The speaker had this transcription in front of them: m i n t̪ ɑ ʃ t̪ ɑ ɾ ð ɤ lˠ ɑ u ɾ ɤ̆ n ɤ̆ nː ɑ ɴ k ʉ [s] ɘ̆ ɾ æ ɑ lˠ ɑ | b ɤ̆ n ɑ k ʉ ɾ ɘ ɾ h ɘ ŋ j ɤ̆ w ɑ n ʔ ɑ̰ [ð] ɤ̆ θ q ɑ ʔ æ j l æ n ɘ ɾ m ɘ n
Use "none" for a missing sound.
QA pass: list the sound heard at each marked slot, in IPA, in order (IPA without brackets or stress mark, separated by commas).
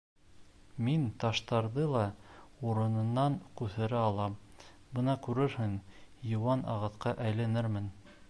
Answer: θ, ʁ